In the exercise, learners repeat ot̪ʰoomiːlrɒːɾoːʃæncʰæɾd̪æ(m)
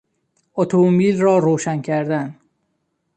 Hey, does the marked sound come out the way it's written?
no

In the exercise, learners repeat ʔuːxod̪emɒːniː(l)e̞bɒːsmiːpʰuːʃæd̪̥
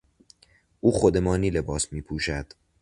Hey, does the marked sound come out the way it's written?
yes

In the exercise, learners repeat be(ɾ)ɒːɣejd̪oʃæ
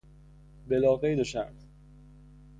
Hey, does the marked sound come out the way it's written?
no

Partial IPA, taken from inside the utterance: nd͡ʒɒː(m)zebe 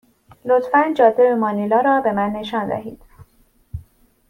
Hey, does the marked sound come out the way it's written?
no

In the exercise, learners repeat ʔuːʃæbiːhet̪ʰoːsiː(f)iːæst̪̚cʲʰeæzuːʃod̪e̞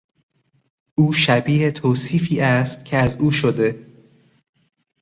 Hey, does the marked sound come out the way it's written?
yes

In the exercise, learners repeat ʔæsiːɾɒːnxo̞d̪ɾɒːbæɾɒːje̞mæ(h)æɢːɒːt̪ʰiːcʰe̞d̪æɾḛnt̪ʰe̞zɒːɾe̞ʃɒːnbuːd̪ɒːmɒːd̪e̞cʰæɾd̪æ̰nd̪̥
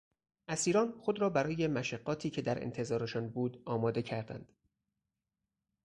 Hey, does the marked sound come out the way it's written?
no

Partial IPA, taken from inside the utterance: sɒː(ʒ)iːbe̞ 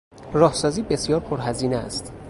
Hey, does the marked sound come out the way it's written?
no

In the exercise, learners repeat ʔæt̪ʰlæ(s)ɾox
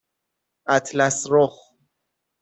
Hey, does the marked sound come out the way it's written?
yes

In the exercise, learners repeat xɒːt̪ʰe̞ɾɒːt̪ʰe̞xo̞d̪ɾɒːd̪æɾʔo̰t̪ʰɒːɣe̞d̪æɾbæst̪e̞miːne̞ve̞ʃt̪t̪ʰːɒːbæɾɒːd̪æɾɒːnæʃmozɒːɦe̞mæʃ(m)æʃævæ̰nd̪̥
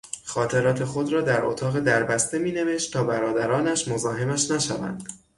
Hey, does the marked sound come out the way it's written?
no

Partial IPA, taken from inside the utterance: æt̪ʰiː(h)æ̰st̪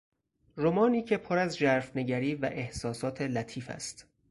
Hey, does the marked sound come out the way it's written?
no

